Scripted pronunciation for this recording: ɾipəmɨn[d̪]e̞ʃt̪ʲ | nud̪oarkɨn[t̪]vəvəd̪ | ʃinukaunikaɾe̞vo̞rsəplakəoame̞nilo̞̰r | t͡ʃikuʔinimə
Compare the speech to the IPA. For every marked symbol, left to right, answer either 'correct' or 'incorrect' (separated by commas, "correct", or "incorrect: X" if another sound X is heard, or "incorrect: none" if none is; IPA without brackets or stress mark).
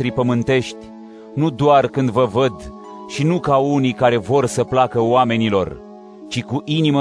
incorrect: t̪, incorrect: d̪